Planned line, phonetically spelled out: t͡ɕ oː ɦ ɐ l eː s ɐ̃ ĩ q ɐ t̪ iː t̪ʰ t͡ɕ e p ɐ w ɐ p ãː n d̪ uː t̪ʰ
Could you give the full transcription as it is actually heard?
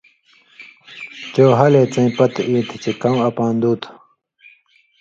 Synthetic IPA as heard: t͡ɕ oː ɦ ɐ l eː t͡s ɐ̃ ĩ p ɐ t̪ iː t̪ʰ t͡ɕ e k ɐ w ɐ p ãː n d̪ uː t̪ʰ